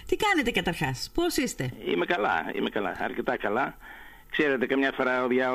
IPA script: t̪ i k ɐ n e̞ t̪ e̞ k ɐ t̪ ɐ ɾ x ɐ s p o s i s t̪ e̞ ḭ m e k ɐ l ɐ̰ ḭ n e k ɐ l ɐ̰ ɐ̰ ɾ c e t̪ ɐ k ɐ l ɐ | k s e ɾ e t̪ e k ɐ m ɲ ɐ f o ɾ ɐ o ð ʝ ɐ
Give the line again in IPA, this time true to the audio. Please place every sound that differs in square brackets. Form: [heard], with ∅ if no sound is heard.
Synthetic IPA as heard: t̪ i k ɐ n e̞ t̪ e̞ k ɐ t̪ ɐ ɾ x ɐ s p o s i s t̪ e̞ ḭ m e k ɐ l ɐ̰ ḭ [m] e k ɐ l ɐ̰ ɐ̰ ɾ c e t̪ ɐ k ɐ l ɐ | k s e ɾ e t̪ e k ɐ m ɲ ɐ f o ɾ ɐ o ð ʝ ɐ